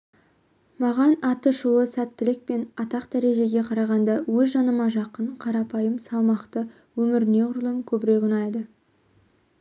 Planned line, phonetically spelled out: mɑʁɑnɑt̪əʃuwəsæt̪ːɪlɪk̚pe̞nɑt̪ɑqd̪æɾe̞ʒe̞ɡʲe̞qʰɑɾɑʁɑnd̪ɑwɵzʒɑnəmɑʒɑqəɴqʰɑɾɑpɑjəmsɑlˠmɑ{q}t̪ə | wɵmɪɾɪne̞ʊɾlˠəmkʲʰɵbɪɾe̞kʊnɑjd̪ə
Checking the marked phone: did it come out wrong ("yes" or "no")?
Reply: no